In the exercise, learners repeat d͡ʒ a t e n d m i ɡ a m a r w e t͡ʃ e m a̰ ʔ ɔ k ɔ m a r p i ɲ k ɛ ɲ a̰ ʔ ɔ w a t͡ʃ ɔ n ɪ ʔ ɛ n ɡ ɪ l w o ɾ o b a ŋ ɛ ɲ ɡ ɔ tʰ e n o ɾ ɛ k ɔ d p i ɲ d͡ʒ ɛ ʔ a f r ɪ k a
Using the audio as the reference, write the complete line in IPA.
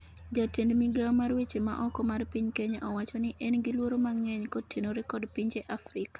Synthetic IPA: d͡ʒ a t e n d m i ɡ a m a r w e t͡ʃ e m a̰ ʔ ɔ k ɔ m a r p i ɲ k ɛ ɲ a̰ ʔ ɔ w a t͡ʃ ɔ n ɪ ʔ ɛ n ɡ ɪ l w o ɾ o m a ŋ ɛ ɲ k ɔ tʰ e n o ɾ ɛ k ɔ d p i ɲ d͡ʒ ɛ ʔ a f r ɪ k a